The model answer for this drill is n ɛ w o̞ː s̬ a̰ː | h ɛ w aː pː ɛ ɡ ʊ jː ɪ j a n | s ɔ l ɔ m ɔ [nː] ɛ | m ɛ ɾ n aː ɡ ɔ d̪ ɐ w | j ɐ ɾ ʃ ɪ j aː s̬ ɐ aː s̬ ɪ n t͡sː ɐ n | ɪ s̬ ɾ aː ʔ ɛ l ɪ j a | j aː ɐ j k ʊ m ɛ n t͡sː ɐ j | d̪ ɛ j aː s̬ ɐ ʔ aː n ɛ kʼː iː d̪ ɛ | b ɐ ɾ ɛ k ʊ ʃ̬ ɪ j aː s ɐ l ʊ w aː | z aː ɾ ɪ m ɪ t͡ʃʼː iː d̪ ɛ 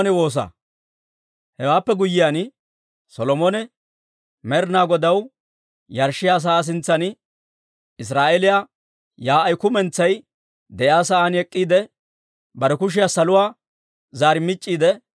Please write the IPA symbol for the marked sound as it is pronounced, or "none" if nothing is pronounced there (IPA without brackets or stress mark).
n